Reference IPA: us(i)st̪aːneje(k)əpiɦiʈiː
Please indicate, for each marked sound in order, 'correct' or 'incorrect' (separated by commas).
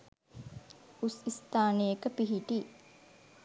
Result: correct, correct